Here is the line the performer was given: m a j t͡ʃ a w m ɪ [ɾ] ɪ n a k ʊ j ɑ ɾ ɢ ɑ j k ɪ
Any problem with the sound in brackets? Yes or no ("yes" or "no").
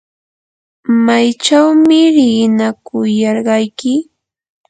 no